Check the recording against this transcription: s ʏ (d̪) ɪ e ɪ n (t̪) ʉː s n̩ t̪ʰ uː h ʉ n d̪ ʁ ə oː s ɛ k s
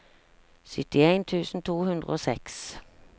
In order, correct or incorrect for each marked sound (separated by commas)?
incorrect, incorrect